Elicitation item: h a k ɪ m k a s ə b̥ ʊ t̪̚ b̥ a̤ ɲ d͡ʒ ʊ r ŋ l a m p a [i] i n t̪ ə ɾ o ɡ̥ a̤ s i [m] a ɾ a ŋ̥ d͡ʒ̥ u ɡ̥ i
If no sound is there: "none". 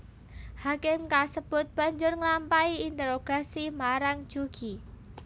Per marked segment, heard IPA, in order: i, m

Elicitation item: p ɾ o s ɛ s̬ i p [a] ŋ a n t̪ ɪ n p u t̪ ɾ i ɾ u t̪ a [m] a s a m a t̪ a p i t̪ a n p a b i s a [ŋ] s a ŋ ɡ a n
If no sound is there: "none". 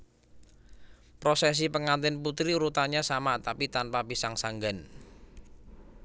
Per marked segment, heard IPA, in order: ə, ɲ, ŋ

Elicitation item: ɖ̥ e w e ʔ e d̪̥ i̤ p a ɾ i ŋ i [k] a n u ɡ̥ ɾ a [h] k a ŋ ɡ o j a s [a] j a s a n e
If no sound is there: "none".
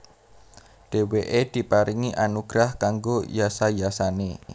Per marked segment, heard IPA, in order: ʔ, h, a

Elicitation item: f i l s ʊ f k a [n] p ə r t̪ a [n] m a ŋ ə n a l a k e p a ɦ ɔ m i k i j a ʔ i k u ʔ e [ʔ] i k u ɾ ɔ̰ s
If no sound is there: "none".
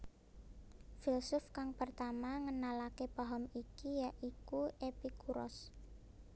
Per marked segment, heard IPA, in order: ŋ, none, p

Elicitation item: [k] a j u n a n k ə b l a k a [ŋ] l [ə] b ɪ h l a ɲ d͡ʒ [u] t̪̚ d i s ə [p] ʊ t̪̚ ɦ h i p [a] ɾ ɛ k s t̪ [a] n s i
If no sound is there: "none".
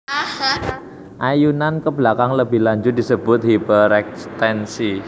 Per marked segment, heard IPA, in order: ʔ, ŋ, ə, ʊ, b, ə, ɛ

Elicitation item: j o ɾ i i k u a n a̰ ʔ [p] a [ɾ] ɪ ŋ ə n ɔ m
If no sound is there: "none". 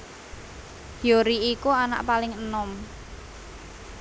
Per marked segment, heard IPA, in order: p, l

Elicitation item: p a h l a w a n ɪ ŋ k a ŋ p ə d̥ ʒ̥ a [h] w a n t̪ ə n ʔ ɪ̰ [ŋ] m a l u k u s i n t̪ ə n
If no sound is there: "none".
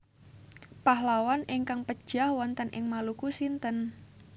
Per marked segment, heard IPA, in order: h, ŋ

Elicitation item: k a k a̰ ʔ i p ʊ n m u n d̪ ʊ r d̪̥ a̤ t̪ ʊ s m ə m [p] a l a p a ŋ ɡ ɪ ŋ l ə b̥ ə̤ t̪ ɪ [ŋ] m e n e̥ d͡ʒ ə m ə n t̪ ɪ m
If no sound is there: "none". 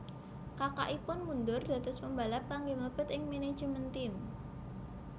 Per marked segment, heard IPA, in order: b, ŋ

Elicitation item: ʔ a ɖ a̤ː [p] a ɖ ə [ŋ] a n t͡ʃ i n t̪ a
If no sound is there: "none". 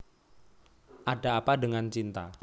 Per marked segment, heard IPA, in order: p, ŋ

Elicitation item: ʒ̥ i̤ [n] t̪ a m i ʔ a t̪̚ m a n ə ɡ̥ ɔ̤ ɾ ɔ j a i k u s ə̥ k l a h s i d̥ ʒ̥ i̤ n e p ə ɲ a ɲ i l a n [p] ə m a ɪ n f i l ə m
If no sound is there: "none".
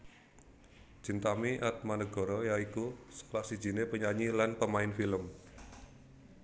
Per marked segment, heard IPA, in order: n, p

